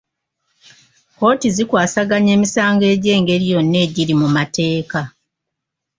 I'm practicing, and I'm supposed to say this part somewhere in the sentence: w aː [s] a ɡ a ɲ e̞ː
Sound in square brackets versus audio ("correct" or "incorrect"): correct